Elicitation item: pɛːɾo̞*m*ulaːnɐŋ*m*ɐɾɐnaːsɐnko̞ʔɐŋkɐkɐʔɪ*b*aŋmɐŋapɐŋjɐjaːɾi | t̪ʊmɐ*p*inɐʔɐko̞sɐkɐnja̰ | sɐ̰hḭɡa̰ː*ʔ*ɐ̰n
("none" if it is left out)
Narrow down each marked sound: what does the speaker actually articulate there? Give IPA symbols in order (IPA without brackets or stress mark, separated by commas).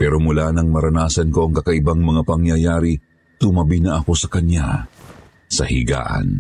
m, m, b, b, ʔ